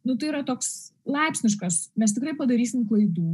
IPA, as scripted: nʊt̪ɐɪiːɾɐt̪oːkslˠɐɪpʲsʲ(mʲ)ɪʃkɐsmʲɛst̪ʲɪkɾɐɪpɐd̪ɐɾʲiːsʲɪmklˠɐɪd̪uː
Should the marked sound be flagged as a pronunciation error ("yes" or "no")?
yes